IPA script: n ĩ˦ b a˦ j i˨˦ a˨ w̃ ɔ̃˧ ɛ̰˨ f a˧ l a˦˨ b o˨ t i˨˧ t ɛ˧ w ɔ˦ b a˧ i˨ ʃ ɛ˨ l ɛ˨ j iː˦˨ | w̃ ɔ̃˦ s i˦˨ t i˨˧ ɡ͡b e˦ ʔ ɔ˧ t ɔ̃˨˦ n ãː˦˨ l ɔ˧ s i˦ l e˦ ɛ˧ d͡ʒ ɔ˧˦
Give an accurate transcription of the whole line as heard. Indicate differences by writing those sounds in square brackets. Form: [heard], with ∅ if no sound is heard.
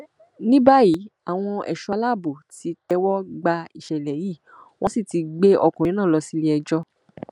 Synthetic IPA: n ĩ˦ b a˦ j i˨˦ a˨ w̃ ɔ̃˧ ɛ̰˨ [ʃ] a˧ l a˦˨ b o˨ t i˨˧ t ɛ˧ w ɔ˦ [ɡ͡b] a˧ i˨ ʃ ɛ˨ l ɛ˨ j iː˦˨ | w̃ ɔ̃˦ s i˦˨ t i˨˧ ɡ͡b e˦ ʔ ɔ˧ [k] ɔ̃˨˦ n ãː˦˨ l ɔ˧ s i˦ l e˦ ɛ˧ d͡ʒ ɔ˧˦